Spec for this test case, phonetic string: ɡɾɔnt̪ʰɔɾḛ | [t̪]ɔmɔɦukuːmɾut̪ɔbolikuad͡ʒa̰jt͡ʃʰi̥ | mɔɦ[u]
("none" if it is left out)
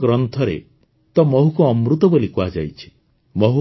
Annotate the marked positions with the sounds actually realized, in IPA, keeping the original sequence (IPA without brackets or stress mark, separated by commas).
t̪, u